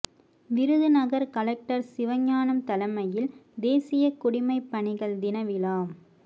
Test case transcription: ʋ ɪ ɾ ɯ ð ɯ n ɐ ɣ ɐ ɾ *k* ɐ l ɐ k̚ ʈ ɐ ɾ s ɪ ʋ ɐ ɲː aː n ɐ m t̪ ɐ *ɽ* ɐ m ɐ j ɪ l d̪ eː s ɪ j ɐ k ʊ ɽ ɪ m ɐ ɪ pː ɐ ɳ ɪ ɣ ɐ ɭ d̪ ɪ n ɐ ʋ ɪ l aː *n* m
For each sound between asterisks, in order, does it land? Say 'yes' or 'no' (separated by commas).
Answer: yes, no, no